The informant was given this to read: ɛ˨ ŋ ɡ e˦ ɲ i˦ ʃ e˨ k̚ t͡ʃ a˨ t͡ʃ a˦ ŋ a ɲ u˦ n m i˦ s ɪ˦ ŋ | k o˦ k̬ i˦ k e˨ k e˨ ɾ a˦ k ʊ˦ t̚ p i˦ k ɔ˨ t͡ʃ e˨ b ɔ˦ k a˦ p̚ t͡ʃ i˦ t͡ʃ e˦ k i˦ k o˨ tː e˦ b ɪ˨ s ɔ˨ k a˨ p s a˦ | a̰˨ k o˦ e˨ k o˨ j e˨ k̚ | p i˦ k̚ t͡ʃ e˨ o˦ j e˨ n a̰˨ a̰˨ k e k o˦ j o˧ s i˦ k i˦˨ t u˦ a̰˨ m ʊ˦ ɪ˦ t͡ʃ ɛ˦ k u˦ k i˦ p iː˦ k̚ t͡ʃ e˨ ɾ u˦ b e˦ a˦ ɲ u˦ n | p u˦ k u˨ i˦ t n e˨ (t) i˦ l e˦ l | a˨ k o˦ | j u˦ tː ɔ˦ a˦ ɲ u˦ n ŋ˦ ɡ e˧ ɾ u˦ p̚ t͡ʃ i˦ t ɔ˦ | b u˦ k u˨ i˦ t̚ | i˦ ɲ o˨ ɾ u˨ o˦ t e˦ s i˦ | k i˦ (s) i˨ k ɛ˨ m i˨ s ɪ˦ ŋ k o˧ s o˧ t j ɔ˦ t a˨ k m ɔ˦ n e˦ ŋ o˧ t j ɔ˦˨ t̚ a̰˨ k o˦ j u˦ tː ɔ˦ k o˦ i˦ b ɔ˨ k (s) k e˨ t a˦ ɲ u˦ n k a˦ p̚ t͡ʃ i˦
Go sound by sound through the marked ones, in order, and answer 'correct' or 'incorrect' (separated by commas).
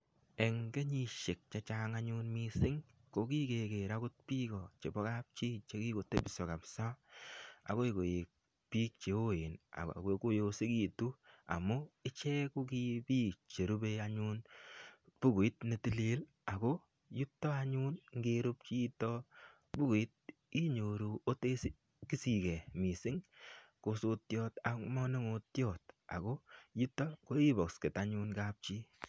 correct, correct, correct